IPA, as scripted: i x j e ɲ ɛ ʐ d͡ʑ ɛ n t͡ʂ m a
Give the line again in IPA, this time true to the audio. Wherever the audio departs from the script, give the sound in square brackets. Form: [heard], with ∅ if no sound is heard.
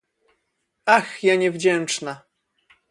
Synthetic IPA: [a] x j [a] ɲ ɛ [v] d͡ʑ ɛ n t͡ʂ [n] a